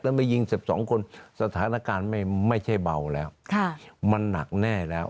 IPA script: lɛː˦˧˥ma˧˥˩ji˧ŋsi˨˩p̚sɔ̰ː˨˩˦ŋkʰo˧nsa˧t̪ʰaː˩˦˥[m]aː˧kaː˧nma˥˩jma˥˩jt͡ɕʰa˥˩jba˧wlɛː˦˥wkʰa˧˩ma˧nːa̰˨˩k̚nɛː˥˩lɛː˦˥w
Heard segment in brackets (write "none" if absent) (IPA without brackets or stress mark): n